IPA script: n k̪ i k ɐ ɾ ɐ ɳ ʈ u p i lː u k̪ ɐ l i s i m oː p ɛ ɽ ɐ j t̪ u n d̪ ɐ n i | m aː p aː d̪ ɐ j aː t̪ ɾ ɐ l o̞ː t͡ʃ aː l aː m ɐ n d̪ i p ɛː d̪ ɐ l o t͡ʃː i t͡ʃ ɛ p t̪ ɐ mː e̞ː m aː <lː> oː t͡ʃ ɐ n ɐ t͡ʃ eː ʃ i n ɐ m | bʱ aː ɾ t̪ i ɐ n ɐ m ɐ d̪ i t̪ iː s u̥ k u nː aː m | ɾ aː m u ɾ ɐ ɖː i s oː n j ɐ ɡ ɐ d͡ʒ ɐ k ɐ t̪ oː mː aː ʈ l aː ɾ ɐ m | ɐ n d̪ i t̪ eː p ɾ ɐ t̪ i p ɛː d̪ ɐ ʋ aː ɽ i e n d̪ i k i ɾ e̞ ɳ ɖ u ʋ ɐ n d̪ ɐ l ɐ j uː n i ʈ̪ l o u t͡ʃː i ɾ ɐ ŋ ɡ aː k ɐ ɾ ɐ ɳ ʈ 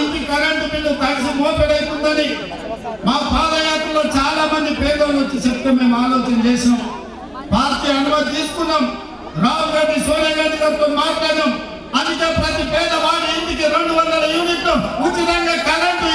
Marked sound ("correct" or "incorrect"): incorrect